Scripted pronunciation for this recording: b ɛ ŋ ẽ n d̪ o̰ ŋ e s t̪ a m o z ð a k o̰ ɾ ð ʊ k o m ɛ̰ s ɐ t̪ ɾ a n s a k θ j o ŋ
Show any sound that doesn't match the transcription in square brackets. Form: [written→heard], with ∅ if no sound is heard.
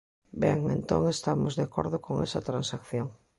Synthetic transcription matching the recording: b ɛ ŋ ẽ n [d̪→t̪] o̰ ŋ e s t̪ a m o z ð a k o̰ ɾ ð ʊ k o [m→ŋ] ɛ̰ s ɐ t̪ ɾ a n s a k θ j o ŋ